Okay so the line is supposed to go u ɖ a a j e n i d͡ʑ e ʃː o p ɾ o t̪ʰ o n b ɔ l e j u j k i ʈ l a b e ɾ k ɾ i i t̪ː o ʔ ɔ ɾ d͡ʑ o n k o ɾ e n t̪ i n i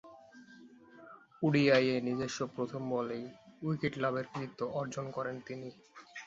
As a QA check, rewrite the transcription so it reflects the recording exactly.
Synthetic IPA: u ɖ i a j e n i d͡ʑ e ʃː o p ɾ o t̪ʰ o m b ɔ l e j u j k i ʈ l a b e ɾ k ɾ i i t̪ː o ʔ ɔ ɾ d͡ʑ o n k ɔ ɾ e n t̪ i n i